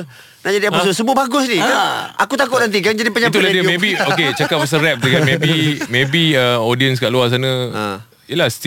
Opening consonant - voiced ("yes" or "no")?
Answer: yes